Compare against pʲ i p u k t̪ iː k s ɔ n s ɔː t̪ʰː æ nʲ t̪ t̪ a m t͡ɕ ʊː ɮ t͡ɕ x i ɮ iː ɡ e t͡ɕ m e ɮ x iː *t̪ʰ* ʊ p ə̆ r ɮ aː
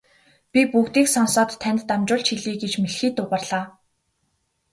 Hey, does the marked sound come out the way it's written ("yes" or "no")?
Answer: no